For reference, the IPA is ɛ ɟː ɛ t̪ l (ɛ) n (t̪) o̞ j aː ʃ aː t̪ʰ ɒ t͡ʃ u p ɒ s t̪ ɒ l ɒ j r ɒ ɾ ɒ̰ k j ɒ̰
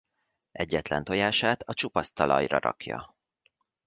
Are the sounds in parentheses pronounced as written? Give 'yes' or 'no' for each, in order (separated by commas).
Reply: yes, yes